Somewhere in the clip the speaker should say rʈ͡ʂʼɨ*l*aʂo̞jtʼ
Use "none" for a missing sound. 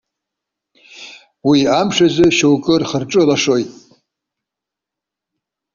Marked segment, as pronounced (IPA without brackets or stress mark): l